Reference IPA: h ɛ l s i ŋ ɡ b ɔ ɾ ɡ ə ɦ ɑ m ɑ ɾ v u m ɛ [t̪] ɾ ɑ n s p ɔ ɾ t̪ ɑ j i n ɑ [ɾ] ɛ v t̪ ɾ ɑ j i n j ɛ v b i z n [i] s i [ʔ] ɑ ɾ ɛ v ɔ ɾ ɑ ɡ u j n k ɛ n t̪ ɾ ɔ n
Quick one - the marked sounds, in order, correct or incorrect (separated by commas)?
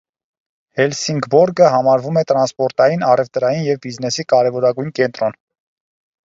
correct, incorrect, incorrect, incorrect